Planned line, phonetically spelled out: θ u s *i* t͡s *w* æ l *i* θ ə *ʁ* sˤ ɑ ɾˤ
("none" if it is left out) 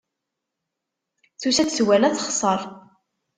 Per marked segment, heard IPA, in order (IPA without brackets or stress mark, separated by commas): æ, w, æ, χ